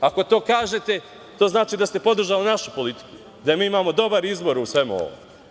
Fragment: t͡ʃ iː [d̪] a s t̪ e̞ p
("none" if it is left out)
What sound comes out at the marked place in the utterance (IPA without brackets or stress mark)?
d̪